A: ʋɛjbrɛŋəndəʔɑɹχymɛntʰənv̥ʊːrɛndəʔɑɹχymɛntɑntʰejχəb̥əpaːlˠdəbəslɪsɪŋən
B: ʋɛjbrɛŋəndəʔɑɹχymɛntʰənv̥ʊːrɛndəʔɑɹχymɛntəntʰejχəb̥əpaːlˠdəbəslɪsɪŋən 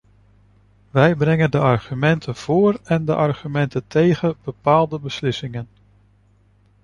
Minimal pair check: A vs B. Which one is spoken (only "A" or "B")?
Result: B